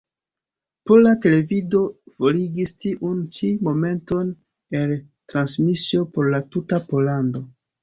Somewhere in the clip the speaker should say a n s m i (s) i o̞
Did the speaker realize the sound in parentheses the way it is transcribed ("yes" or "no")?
yes